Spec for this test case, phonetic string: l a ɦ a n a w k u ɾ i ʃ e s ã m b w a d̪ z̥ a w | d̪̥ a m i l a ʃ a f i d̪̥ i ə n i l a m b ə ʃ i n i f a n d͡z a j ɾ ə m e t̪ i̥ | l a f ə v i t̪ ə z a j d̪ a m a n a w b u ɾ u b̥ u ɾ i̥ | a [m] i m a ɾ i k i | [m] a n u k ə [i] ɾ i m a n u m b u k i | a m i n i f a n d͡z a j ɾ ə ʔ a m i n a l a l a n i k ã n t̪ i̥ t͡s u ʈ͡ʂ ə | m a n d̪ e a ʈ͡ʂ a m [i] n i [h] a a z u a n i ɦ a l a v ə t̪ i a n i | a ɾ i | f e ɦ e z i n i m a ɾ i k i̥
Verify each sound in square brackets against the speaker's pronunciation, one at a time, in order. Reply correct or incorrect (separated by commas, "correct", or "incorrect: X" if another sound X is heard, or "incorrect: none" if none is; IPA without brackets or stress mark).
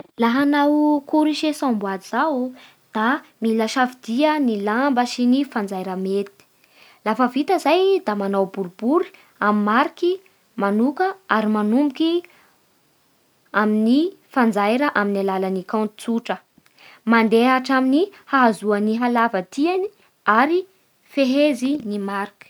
correct, correct, incorrect: a, correct, correct